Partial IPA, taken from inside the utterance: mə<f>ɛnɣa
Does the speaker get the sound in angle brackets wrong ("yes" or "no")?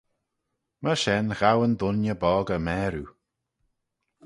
yes